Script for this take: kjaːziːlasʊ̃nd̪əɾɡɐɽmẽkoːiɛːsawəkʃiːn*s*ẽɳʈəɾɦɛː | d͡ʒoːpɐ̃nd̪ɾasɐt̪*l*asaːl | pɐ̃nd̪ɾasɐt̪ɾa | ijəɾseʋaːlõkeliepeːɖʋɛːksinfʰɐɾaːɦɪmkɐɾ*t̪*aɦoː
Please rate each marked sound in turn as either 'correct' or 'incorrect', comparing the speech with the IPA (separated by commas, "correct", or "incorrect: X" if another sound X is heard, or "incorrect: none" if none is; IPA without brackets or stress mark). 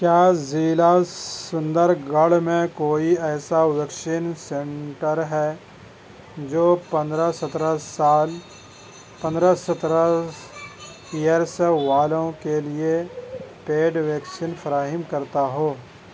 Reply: correct, incorrect: ɾ, correct